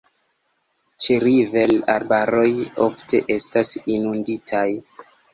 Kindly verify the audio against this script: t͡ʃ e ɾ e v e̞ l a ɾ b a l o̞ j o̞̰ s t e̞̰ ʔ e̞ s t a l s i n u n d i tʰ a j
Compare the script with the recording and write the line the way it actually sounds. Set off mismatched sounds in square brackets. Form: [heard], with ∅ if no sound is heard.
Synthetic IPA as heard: t͡ʃ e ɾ [i] v e̞ l a ɾ b a [ɾ] o̞ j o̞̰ [f] t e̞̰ ʔ e̞ s t a [∅] s i n u n d i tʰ a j